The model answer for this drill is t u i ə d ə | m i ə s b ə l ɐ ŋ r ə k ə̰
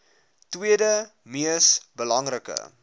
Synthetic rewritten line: t w i ə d ə | m i ə s b ə l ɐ ŋ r ə k ə̰